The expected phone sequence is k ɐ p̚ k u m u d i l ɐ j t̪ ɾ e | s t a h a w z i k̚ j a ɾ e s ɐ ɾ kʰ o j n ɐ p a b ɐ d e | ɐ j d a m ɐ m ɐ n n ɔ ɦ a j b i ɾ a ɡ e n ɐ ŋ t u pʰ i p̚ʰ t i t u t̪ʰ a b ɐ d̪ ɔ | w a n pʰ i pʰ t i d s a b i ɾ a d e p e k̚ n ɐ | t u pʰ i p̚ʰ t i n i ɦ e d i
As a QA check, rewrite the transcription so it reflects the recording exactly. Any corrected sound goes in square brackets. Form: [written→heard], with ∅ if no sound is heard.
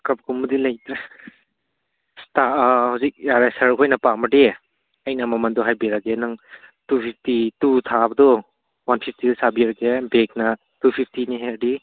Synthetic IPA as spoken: k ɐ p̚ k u m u d i l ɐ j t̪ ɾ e | s t a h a w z i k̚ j a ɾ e s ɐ ɾ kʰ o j n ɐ p a [b→m] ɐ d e | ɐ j [d→n] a m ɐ m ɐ n [n→d] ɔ ɦ a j b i ɾ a ɡ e n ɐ ŋ t u pʰ i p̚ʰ t i t u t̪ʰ a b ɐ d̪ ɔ | w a n pʰ i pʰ t i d s a b i ɾ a [d→ɡ] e [p→b] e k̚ n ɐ | t u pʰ i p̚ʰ t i n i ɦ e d i